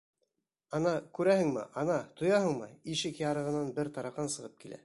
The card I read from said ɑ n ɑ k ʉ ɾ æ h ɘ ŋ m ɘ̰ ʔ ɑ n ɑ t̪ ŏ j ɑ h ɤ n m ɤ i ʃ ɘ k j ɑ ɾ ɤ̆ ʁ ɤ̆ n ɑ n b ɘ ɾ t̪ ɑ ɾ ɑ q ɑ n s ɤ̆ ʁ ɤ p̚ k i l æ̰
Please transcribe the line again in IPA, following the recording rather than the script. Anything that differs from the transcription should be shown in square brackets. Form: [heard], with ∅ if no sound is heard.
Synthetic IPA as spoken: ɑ n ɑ k ʉ ɾ æ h ɘ ŋ m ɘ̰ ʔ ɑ n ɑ t̪ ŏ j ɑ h ɤ [ɴ] m ɤ i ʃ ɘ k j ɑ ɾ ɤ̆ ʁ ɤ̆ n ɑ n b ɘ ɾ t̪ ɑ ɾ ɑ q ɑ n s ɤ̆ ʁ ɤ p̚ k i l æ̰

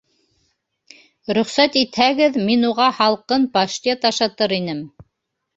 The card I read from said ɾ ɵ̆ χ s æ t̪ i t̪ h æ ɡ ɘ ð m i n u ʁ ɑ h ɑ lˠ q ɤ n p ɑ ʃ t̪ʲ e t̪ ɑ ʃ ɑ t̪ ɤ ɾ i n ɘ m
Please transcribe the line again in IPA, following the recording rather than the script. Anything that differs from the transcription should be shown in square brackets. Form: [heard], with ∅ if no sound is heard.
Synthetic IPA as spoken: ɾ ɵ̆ χ s æ t̪ i t̪ h æ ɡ ɘ ð m i n u ʁ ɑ h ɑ lˠ q ɤ n p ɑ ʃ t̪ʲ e t̪ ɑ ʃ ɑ t̪ ɤ ɾ i n ɘ m

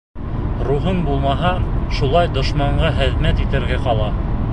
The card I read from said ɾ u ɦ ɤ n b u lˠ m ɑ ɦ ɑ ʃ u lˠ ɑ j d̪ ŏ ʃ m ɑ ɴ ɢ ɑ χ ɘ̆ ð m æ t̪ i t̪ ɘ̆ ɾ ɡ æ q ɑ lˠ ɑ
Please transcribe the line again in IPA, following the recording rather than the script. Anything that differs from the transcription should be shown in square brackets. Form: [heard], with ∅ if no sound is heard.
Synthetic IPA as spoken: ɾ u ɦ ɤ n b u lˠ m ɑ ɦ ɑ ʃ u lˠ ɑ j d̪ ŏ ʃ m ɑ ɴ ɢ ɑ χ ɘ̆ ð m æ t̪ i t̪ ɘ̆ ɾ ɡ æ q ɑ lˠ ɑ

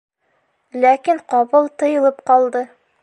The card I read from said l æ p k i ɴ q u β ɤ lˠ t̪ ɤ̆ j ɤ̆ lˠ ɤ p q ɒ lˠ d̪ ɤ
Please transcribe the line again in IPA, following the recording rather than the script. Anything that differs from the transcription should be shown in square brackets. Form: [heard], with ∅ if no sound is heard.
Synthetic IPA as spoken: l æ [∅] k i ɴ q [ɒ] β ɤ lˠ t̪ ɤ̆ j ɤ̆ lˠ ɤ p q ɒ lˠ d̪ ɤ

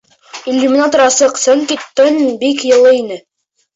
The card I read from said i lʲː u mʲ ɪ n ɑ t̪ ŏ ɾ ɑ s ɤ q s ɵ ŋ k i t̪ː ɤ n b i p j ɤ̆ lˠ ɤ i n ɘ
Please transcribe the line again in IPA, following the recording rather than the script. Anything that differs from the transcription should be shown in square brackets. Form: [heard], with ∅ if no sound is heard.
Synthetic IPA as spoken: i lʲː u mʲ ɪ n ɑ t̪ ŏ ɾ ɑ s ɤ q s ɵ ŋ k i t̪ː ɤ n b i [k] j ɤ̆ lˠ ɤ i n ɘ

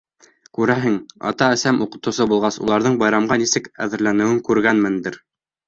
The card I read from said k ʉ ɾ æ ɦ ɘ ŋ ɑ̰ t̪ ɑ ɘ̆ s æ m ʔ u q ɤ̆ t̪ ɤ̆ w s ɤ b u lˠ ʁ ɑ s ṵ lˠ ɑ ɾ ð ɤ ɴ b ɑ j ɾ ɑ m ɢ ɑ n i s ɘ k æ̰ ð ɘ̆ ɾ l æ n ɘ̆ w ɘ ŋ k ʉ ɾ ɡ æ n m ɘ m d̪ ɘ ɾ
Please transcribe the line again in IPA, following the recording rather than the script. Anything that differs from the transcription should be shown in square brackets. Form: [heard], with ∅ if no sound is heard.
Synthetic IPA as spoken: k ʉ ɾ æ ɦ ɘ ŋ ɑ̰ t̪ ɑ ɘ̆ s æ m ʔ u q ɤ̆ t̪ ɤ̆ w s ɤ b u lˠ ʁ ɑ s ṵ lˠ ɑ ɾ ð ɤ ɴ b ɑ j ɾ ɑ m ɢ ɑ n i s ɘ k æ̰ ð ɘ̆ ɾ l æ n ɘ̆ w ɘ ŋ k ʉ ɾ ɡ æ n m ɘ [n] d̪ ɘ ɾ

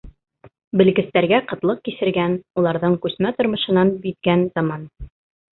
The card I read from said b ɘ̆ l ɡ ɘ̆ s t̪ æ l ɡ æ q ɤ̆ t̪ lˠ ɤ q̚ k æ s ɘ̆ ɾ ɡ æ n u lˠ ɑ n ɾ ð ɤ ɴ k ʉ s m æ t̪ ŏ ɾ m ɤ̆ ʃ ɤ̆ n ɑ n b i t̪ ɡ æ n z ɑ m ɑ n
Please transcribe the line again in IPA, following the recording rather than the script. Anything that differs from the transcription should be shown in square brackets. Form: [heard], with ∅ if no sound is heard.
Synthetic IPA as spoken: b ɘ̆ l ɡ ɘ̆ s t̪ æ [ɾ] ɡ æ q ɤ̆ t̪ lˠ ɤ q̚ k [i] s ɘ̆ ɾ ɡ æ n u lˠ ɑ [∅] ɾ ð ɤ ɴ k ʉ s m æ t̪ ŏ ɾ m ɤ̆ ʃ ɤ̆ n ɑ n b i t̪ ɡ æ n z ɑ m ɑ n

